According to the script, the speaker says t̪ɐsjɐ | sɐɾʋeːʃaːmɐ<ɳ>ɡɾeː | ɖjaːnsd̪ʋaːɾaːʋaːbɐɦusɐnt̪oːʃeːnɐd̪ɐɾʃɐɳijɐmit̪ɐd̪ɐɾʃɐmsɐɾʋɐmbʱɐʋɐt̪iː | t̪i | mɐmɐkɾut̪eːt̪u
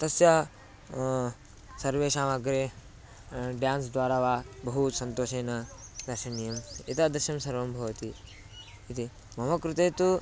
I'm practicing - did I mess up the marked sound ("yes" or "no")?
yes